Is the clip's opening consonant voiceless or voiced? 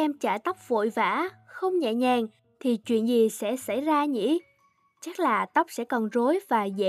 voiced